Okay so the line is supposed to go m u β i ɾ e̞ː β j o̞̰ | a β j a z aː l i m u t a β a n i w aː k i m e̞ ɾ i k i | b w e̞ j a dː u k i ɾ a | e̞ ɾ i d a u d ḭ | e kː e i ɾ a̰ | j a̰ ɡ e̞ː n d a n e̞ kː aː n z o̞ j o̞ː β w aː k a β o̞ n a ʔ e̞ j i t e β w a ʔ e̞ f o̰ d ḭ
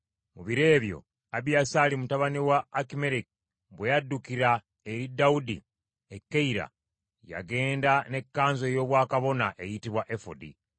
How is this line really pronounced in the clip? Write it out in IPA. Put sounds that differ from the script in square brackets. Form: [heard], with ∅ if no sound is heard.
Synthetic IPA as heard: m u β i ɾ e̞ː β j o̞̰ | a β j a [s] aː l i m u t a β a n i w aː k i m e̞ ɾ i k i | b w e̞ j a dː u k i ɾ a | e̞ ɾ i d a u d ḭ | e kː e i ɾ a̰ | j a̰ ɡ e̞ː n d a n e̞ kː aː n z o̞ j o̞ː β w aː k a β o̞ n a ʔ e̞ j i t [i] β w a ʔ e̞ f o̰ d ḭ